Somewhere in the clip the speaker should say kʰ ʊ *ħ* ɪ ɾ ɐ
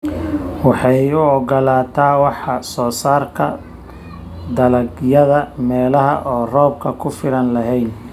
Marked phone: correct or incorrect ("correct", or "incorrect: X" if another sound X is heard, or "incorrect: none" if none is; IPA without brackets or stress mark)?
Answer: incorrect: f